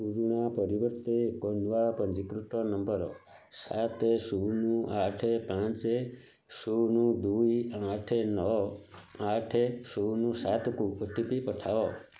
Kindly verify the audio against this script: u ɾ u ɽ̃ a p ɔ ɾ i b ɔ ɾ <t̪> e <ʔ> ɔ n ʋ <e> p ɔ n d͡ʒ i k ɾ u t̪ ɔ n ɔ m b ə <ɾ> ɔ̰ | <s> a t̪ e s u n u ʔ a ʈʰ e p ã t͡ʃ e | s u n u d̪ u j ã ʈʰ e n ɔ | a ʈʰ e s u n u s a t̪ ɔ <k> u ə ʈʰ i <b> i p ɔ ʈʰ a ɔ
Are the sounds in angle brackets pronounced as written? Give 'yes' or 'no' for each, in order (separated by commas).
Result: yes, no, no, yes, yes, yes, no